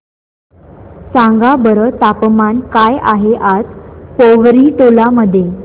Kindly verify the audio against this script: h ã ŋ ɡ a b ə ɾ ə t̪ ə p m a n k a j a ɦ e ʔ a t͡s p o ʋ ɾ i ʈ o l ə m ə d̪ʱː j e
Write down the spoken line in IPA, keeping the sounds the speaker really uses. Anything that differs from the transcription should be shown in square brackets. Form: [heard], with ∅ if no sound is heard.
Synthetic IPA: [s] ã ŋ ɡ a b ə ɾ ə t̪ [a] p m a n k a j a ɦ e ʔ a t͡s p o ʋ ɾ i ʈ o l [a] m ə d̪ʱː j e